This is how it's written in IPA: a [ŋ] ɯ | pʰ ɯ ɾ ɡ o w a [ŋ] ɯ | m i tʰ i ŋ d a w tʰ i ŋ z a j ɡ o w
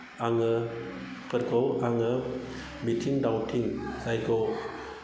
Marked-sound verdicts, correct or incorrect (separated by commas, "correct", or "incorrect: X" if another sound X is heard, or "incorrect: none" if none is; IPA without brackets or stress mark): correct, correct